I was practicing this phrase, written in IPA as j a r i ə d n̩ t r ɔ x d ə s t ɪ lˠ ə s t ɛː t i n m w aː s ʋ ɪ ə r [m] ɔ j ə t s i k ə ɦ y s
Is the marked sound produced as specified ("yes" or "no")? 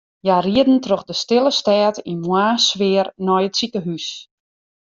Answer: no